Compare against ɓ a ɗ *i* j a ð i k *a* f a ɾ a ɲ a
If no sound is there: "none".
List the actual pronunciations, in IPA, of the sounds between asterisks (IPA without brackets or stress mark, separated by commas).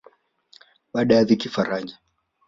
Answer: a, i